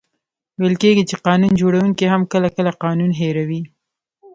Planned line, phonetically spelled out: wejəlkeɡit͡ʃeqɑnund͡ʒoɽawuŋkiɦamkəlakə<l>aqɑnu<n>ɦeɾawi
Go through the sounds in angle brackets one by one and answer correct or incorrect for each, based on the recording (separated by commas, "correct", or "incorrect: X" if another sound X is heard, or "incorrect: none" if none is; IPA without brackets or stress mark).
correct, correct